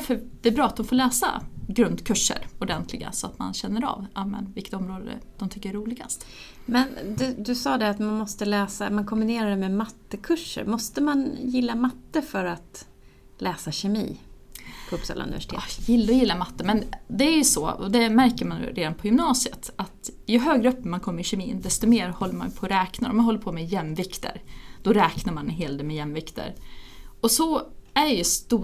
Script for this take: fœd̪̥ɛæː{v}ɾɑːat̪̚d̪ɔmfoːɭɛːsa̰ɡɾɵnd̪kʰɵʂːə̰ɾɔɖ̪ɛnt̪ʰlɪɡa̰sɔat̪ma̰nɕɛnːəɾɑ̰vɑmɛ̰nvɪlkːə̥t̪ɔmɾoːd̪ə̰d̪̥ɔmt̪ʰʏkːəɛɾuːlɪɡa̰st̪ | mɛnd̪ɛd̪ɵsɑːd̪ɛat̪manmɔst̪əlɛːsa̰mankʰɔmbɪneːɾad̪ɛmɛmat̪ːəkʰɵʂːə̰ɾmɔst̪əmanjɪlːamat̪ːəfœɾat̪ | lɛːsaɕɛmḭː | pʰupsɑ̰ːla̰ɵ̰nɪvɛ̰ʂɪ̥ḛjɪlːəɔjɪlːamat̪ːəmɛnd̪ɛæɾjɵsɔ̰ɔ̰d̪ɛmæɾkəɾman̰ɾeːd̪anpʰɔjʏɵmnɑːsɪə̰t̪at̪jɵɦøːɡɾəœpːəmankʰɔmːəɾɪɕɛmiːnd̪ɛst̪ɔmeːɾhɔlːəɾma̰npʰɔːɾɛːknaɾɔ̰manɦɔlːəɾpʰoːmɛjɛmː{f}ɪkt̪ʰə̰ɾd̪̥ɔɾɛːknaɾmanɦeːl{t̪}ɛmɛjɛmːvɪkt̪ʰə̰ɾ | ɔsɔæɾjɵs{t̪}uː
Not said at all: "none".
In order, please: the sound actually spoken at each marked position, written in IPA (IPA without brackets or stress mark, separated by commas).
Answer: b, v, d̪, t̪